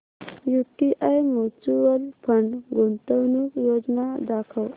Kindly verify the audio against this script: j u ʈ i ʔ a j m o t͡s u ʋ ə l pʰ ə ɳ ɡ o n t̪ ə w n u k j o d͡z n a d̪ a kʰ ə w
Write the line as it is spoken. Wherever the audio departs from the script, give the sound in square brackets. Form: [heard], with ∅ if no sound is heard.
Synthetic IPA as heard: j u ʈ i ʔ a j m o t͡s u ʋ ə l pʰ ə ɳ ɡ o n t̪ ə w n u k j o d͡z n a d̪ a kʰ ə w

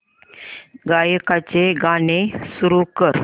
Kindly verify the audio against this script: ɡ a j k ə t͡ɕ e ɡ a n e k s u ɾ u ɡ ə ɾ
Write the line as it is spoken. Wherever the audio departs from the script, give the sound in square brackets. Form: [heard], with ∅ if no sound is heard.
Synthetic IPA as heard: ɡ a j k [a] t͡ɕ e ɡ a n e [∅] s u ɾ u [k] ə ɾ

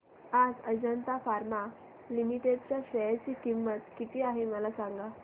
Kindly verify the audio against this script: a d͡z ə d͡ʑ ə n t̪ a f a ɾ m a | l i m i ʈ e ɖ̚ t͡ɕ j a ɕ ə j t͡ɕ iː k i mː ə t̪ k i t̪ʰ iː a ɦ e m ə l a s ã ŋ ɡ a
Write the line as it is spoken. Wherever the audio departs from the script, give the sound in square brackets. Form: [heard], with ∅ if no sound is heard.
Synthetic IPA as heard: a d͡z ə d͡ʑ ə n t̪ a f a ɾ m a | l i m i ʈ e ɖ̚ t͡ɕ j a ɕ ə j t͡ɕ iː k i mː ə t̪ k i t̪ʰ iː a ɦ e m ə l a s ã ŋ ɡ a

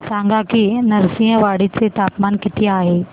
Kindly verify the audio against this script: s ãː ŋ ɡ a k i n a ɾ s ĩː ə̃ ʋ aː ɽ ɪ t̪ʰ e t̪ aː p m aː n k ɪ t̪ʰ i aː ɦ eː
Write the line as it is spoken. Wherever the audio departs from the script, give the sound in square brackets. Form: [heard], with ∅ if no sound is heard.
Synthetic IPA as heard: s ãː ŋ ɡ a k i n [ɐ] ɾ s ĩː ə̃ ʋ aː ɽ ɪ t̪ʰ e t̪ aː p m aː n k ɪ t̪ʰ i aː ɦ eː

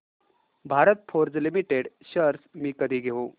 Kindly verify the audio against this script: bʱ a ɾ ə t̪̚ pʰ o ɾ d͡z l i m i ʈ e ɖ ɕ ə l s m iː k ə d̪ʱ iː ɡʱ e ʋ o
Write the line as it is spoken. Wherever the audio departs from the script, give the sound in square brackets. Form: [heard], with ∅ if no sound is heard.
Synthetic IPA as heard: bʱ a ɾ ə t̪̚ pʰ o ɾ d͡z l i m i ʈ e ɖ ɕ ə [ɾ] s m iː k ə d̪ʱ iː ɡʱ e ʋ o

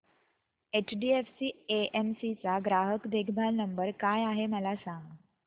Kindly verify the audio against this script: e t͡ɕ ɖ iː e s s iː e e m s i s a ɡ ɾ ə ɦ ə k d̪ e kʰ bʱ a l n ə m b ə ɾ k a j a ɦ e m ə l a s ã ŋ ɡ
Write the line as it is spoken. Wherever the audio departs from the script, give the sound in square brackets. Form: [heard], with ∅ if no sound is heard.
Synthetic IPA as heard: e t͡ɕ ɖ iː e [f] s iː e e m s i [t͡s] a ɡ ɾ [a] ɦ ə k d̪ e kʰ bʱ a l n ə m b ə ɾ k a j a ɦ e m ə l a s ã ŋ ɡ

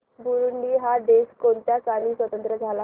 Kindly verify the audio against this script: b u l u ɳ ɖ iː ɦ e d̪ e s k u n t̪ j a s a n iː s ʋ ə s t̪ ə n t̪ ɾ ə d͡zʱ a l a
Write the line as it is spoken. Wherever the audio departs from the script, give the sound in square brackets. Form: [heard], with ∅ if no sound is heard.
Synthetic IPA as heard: b u [ɾ] u ɳ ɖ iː ɦ [a] d̪ e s k [o] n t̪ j a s a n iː s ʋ ə [∅] t̪ ə n t̪ ɾ ə d͡zʱ a l a

